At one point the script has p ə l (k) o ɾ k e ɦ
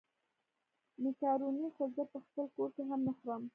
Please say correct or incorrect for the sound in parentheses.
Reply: correct